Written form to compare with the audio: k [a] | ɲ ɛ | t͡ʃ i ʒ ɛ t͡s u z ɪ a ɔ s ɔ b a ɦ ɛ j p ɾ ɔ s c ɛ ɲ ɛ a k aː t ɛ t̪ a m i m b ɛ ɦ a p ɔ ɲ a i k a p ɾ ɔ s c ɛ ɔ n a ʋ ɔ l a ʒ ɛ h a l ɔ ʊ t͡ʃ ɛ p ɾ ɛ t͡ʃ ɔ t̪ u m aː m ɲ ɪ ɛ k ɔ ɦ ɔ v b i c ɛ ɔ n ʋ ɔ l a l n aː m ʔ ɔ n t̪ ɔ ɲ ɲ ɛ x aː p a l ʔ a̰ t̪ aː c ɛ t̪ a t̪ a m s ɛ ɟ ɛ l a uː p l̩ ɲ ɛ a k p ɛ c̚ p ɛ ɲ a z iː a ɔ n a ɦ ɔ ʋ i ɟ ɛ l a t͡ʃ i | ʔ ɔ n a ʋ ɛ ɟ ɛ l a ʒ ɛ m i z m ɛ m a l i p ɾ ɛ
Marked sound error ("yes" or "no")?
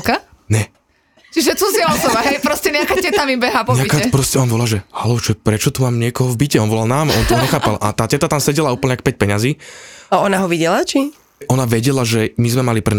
no